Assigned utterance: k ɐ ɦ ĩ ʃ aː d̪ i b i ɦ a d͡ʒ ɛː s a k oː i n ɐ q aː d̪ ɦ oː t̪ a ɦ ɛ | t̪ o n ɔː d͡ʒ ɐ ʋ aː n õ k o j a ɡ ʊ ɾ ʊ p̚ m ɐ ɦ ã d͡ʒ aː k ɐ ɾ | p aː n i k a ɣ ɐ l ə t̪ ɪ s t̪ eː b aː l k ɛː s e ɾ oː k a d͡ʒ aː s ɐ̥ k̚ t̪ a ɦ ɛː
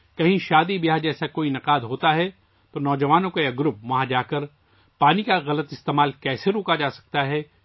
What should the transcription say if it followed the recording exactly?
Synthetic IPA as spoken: k ɐ ɦ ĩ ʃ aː d̪ i b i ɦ a d͡ʒ ɛː s a k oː i n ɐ q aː d̪ ɦ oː t̪ a ɦ ɛ | t̪ o n ɔː d͡ʒ ɐ ʋ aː n õ k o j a ɡ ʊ ɾ ʊ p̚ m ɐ ɦ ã d͡ʒ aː k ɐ ɾ | p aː n i k a ɣ ɐ l ə t̪ ɪ s t̪ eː m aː l k ɛː s e ɾ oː k a d͡ʒ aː s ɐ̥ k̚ t̪ a ɦ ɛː